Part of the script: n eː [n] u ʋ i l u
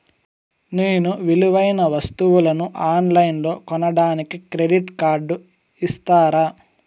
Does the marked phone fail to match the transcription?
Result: no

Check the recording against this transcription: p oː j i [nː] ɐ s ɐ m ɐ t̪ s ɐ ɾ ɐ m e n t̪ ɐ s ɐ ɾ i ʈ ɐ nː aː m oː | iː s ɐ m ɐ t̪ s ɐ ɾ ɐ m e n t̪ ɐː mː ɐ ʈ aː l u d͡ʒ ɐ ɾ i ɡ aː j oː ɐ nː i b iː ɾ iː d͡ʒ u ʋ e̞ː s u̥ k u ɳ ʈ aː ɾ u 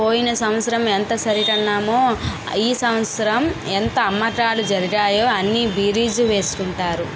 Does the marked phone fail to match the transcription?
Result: yes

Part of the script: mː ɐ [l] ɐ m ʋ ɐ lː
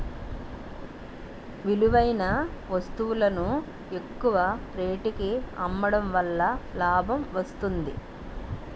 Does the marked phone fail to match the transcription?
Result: yes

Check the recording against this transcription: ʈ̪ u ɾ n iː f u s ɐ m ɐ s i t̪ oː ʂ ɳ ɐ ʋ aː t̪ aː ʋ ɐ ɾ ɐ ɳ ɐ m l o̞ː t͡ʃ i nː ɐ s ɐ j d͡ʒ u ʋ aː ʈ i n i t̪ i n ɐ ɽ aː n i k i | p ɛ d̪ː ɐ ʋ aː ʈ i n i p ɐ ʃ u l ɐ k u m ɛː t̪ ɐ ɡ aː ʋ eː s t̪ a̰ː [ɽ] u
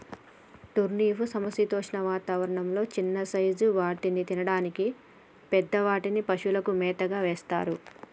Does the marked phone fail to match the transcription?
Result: yes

